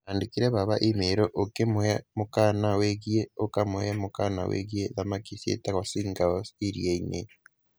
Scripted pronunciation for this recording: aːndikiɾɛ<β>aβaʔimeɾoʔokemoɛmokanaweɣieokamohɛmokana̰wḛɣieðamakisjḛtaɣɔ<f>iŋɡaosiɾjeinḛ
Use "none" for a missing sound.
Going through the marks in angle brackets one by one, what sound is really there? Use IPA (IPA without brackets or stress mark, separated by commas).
β, s